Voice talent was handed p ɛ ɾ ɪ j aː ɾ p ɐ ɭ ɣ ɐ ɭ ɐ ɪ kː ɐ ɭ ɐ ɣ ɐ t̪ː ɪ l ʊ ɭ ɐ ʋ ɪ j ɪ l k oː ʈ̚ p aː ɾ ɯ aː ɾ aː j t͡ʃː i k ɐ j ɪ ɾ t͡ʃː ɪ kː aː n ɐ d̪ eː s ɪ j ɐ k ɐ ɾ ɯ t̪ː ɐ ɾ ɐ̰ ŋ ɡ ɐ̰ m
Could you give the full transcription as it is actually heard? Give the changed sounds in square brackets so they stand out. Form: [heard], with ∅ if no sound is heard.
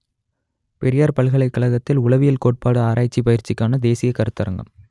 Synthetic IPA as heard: p ɛ ɾ ɪ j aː ɾ p ɐ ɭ ɣ ɐ ɭ ɐ ɪ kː ɐ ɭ ɐ ɣ ɐ t̪ː ɪ l ʊ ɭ ɐ ʋ ɪ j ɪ l k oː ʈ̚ p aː [ɽ] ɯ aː ɾ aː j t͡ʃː i [p] ɐ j ɪ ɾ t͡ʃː ɪ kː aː n ɐ d̪ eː s ɪ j ɐ k ɐ ɾ ɯ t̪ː ɐ ɾ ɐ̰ ŋ ɡ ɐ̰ m